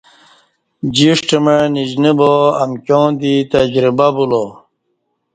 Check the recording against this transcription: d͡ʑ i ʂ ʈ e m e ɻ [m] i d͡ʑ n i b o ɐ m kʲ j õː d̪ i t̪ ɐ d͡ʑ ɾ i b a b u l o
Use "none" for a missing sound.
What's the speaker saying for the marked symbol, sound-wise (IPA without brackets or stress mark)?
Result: n